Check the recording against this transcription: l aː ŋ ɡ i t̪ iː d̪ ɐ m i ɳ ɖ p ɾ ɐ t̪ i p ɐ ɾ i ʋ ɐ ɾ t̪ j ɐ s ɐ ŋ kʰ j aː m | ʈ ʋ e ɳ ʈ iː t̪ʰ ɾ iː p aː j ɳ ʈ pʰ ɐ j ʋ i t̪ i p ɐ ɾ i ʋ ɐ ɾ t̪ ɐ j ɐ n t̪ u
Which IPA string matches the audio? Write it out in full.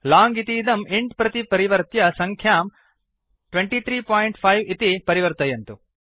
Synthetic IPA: l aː ŋ ɡ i t̪ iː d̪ ɐ m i ɳ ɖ p ɾ ɐ t̪ i p ɐ ɾ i ʋ ɐ ɾ t̪ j ɐ s ɐ ŋ kʰ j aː m | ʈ ʋ e ɳ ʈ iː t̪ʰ ɾ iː p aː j ɳ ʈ pʰ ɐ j ʋ i t̪ i p ɐ ɾ i ʋ ɐ ɾ t̪ ɐ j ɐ n t̪ u